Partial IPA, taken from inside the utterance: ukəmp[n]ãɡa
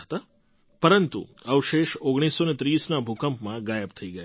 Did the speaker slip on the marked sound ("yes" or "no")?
yes